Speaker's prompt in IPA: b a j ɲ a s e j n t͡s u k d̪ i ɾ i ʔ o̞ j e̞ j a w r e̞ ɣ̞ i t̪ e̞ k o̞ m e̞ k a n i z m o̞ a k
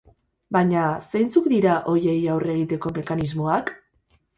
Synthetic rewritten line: b a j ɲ a s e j n t͡s u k d̪ i ɾ a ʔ o̞ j e̞ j a w r e̞ ɣ̞ i t̪ e̞ k o̞ m e̞ k a n i z m o̞ a k